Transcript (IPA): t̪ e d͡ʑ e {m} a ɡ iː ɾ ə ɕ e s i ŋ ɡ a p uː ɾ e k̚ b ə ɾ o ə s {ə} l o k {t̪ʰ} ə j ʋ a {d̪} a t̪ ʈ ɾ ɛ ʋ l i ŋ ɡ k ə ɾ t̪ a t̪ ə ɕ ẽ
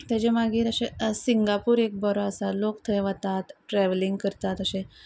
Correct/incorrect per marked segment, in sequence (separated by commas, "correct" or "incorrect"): correct, incorrect, correct, incorrect